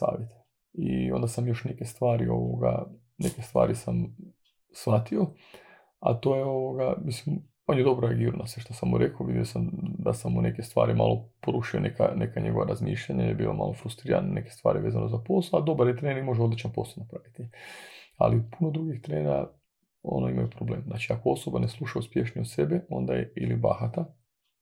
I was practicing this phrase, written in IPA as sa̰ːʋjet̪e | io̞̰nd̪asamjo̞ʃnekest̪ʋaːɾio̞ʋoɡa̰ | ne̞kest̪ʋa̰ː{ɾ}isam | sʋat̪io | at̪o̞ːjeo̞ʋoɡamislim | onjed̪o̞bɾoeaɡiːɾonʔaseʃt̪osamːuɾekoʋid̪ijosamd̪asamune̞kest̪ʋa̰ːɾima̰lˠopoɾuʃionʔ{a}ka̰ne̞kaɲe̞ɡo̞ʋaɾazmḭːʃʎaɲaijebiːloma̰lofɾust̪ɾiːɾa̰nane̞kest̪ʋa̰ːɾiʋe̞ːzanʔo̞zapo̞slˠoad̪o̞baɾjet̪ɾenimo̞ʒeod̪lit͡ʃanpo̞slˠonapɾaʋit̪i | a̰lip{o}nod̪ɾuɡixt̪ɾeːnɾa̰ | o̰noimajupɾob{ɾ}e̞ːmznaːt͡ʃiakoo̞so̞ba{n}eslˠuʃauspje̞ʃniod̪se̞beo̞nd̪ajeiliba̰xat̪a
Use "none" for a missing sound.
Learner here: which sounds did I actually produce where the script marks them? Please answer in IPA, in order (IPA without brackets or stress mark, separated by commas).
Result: ɾ, e, u, l, n